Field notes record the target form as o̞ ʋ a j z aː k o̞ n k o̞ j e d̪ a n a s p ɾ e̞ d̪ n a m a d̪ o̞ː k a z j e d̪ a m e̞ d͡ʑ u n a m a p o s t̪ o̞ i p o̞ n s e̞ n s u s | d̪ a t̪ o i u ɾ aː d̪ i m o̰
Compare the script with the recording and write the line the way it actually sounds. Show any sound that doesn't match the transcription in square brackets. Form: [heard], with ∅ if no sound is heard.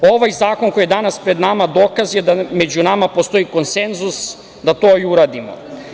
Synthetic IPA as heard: o̞ ʋ a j z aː k o̞ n k o̞ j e d̪ a n a s p ɾ e̞ d̪ n a m a d̪ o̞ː k a z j e d̪ a m e̞ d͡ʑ u n a m a p o s t̪ o̞ i [k] o̞ n s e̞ n [z] u s | d̪ a t̪ o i u ɾ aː d̪ i m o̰